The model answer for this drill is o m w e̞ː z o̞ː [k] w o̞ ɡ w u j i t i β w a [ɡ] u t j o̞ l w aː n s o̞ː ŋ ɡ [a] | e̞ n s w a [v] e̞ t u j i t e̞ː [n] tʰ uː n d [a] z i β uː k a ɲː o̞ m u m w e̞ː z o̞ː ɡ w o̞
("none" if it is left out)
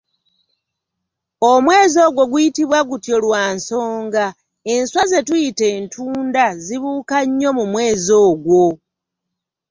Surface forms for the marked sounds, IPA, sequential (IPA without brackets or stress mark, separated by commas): ɡ, ɡ, a, z, n, a